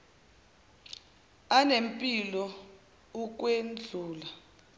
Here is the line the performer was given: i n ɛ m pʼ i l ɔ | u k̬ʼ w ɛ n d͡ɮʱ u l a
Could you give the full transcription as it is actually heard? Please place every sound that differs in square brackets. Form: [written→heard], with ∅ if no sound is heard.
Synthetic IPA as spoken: [i→a] n [ɛ→e] m pʼ i l ɔ | u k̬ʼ w [ɛ→e] n d͡ɮʱ [u→uː] l a